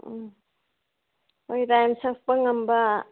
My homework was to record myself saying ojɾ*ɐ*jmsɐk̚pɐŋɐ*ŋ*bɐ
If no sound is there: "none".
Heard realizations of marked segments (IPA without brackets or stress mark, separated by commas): a, m